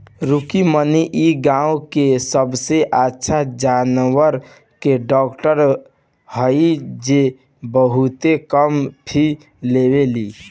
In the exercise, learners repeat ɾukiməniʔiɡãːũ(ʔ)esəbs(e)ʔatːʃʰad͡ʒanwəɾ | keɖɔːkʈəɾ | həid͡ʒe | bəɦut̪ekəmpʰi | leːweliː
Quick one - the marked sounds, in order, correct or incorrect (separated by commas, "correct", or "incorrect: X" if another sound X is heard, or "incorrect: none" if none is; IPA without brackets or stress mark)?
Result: incorrect: k, correct